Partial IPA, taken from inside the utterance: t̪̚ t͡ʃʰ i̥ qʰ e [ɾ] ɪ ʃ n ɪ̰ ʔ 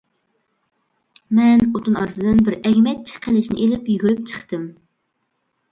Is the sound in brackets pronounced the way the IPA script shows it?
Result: no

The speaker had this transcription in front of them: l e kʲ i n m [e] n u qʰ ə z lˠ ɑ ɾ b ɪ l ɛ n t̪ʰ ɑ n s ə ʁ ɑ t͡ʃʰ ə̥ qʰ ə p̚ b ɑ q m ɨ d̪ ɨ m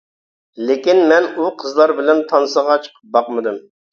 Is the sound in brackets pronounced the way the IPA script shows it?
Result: no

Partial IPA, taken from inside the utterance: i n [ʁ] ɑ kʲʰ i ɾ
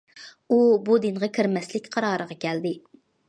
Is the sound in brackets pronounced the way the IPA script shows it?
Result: yes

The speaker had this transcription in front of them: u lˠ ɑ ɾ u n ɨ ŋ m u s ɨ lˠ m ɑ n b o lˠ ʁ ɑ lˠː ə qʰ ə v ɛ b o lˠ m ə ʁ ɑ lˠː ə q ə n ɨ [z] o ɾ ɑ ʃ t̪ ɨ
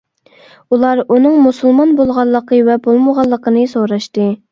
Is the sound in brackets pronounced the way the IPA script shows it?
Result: no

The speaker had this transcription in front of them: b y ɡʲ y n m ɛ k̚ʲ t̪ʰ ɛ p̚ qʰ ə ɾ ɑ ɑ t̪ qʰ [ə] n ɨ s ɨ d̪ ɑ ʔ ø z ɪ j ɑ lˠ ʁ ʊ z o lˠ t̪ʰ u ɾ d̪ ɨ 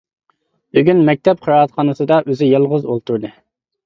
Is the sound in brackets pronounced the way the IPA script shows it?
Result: no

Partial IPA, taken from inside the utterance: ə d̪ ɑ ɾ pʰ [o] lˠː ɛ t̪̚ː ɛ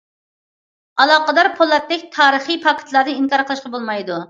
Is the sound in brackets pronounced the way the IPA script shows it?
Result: yes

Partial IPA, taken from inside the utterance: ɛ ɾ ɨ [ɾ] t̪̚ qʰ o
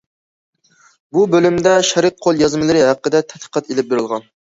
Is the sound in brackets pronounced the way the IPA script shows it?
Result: no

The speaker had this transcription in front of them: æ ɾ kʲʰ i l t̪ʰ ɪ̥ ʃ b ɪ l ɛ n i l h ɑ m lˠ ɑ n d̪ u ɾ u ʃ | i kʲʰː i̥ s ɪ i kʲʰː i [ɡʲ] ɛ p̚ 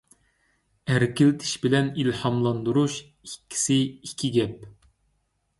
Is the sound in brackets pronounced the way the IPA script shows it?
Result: yes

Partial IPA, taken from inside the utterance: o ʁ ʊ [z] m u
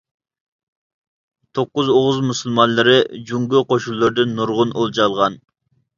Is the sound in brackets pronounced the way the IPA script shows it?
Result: yes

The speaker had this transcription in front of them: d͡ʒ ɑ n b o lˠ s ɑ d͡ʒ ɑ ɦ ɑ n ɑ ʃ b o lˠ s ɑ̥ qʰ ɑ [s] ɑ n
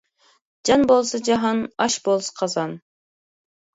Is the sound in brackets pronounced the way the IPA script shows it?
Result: no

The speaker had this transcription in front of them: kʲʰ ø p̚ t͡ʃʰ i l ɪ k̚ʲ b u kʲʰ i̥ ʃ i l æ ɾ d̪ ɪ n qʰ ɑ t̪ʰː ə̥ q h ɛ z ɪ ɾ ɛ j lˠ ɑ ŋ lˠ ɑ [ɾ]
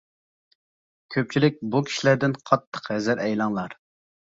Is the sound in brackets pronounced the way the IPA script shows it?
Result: yes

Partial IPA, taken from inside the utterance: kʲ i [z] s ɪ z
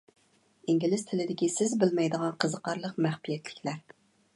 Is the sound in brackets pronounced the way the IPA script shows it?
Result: no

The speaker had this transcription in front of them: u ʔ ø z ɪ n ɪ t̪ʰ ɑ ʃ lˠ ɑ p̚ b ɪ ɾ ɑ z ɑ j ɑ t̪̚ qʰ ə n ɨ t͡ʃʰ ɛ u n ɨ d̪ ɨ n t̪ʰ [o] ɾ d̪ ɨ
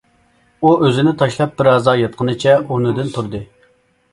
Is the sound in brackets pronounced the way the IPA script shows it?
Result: no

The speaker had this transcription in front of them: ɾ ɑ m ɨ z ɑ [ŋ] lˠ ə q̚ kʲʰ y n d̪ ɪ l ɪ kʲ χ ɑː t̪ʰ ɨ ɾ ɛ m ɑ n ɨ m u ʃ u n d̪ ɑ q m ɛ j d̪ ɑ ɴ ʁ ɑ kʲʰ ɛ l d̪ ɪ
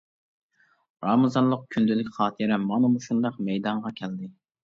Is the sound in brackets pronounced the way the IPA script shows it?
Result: no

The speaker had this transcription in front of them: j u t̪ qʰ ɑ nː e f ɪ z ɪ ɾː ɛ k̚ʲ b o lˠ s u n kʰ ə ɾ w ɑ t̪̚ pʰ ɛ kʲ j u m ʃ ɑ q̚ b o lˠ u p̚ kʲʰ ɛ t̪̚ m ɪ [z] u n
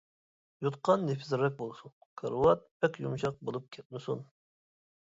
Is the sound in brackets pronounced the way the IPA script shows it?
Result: no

